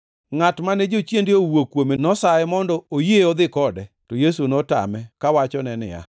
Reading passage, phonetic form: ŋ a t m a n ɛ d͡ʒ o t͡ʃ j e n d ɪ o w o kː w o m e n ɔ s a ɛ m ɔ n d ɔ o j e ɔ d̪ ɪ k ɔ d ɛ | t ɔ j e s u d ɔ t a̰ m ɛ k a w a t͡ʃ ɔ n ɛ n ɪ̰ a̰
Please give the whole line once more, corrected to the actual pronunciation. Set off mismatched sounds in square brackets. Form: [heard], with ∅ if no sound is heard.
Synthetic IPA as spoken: ŋ a t m a n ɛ d͡ʒ o t͡ʃ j e n d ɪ o w o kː w o m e n ɔ s a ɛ m ɔ n d ɔ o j e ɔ d̪ ɪ k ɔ d ɛ | t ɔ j e s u [n] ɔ t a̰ m ɛ k a w a t͡ʃ ɔ n ɛ n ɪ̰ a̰